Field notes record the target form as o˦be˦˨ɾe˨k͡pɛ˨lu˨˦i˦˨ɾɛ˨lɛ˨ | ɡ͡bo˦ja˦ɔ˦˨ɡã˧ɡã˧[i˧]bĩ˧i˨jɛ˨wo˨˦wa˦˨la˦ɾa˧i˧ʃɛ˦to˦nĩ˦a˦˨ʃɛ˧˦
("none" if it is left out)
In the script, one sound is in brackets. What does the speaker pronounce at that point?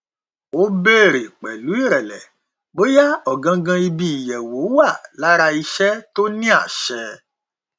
i˧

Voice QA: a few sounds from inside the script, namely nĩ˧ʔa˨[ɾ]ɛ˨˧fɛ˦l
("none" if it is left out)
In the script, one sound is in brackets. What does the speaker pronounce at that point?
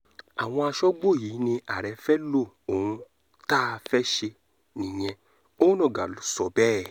ɾ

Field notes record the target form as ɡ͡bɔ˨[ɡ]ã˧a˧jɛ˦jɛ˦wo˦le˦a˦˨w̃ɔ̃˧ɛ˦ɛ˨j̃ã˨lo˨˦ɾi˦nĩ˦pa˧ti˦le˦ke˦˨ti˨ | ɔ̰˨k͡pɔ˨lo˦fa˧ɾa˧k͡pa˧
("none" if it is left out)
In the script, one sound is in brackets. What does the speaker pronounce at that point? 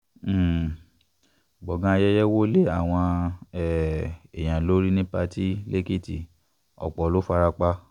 ɡ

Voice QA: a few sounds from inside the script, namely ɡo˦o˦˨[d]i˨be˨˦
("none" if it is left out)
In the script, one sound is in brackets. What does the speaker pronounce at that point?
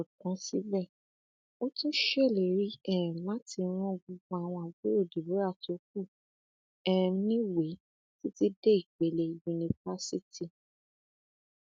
d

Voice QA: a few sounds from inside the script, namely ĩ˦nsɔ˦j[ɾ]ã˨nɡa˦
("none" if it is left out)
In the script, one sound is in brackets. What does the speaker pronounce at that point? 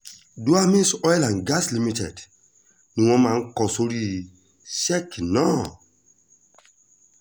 l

